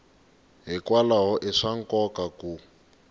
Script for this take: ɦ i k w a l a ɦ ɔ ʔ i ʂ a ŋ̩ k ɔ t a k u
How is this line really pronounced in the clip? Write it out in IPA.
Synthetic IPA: ɦ i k w a l a ɦ ɔ ʔ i ʂ a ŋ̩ k ɔ k a k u